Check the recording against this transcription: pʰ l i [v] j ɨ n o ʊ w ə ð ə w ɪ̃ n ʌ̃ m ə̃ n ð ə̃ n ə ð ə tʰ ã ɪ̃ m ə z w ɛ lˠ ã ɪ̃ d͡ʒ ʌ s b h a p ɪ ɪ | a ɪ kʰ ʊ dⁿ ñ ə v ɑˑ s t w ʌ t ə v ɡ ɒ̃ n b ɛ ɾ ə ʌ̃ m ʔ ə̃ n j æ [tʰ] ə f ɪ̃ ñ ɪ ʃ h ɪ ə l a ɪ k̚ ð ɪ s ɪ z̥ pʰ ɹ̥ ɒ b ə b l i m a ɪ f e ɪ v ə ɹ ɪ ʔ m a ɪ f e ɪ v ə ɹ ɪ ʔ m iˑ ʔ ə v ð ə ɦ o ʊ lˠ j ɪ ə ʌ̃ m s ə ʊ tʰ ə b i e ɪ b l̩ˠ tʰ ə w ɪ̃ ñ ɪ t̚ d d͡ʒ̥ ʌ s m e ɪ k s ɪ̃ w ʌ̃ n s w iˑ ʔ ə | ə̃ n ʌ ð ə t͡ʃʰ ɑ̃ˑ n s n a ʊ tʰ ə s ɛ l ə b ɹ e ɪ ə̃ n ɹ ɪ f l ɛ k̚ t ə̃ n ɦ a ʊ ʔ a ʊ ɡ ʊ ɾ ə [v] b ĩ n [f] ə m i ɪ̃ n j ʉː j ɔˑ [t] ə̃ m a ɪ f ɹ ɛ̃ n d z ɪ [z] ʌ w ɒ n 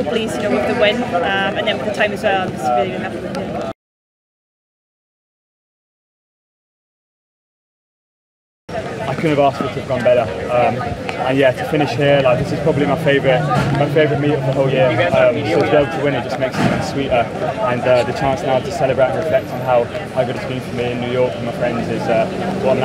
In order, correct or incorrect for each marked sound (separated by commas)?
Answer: incorrect, correct, incorrect, correct, incorrect, correct